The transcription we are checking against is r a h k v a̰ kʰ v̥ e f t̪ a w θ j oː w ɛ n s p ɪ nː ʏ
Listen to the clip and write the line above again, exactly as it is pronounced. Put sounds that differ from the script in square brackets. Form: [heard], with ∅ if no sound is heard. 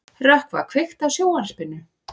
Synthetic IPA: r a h k v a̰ kʰ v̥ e [x] t̪ a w [s] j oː w [a] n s p ɪ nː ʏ

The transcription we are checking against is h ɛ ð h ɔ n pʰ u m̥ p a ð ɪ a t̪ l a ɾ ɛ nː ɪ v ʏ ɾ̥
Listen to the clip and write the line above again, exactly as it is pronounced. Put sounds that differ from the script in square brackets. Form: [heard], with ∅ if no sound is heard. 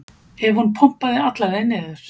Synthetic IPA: h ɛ [v] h [u] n pʰ [ɔ] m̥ p a ð ɪ a t̪ l a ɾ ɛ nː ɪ [ð] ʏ ɾ̥

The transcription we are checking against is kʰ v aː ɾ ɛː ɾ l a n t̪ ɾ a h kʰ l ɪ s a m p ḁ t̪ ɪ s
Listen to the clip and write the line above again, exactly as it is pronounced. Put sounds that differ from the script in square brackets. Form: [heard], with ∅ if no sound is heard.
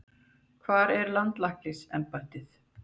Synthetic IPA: kʰ v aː ɾ [ɛ] ɾ l a n t̪ [l] a h [k] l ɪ s [ɛ] m p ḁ t̪ ɪ [θ]

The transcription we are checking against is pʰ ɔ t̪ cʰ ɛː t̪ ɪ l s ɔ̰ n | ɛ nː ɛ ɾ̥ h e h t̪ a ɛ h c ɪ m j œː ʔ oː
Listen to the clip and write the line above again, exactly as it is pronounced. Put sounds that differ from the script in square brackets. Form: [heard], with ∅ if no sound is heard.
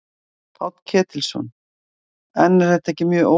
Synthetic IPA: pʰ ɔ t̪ cʰ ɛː t̪ ɪ l s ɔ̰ n | ɛ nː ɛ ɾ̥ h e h t̪ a ɛ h c ɪ m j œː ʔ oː

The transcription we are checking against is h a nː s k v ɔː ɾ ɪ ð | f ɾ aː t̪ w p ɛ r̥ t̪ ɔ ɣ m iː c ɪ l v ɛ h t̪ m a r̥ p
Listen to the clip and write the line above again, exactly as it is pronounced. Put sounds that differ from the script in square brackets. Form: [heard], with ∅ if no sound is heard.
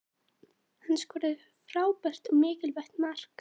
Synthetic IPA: h a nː s k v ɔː ɾ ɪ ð | f ɾ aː [∅] w p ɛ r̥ t̪ ɔ ɣ m [ɪː] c ɪ l v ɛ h t̪ m a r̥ [k]

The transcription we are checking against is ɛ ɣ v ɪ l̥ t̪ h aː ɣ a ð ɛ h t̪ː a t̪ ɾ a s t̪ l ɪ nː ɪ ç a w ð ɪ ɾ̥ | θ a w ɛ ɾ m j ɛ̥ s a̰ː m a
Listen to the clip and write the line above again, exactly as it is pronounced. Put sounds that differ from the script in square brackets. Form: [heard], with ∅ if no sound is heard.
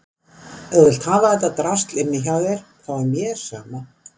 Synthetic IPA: ɛ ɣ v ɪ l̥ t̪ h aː [v] a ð ɛ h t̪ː a t̪ ɾ a s t̪ l ɪ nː ɪ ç a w ð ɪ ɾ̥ | θ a w ɛ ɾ m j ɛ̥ s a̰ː m a

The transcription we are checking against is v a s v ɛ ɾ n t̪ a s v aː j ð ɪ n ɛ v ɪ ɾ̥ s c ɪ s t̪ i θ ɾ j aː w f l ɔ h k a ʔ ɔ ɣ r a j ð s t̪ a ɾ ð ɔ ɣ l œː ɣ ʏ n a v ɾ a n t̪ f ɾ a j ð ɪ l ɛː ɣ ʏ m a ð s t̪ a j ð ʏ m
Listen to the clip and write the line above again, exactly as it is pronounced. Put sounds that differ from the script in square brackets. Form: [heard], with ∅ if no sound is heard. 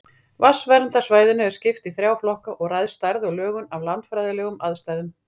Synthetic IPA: v a s v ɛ ɾ n t̪ a s v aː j ð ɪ n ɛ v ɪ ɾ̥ s c ɪ [f] t̪ i θ ɾ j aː w f l ɔ h k a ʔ ɔ ɣ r a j ð s t̪ a ɾ ð ɔ ɣ l œː ɣ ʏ n a v [l] a n t̪ f ɾ a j ð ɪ l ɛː ɣ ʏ m a ð s t̪ a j ð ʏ m

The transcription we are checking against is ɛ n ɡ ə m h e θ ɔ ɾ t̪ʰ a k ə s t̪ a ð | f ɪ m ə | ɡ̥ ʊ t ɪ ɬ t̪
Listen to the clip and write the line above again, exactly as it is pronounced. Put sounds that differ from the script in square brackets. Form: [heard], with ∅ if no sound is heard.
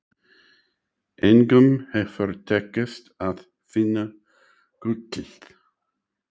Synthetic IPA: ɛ n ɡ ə m h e [f] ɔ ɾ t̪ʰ [ɛ] k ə s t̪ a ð | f ɪ [n] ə | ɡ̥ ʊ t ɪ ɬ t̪

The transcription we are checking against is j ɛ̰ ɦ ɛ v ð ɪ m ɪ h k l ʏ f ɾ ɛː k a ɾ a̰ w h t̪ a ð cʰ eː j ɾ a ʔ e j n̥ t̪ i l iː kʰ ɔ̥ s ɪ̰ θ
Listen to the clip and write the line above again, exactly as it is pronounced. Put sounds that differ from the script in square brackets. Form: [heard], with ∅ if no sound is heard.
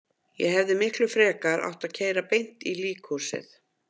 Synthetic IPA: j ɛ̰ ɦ ɛ v ð ɪ m ɪ h k l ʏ f ɾ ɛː k a ɾ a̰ w h t̪ a ð cʰ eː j ɾ a [p] e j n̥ t̪ i l iː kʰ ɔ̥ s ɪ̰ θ

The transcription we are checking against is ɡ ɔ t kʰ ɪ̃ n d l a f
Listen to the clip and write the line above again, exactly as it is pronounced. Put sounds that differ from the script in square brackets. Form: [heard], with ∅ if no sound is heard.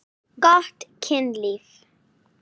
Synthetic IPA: ɡ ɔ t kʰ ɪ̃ n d l [i] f

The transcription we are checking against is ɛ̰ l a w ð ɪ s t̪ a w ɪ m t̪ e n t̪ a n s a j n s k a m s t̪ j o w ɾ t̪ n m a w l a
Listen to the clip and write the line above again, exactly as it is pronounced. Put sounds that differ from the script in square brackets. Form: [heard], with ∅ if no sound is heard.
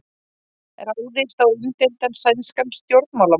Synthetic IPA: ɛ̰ [ɾ] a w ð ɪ s t̪ a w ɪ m t̪ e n t̪ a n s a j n s k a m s t̪ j o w ɾ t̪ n m a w l a

